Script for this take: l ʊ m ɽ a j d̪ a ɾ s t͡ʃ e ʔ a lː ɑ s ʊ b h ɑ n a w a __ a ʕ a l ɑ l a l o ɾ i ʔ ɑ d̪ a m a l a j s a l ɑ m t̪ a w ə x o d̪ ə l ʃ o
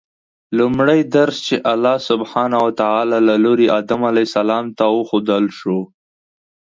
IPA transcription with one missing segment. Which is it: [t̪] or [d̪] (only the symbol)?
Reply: t̪